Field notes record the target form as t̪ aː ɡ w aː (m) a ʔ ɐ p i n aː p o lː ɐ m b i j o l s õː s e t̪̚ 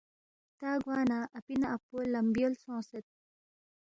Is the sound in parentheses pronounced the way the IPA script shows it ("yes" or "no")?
no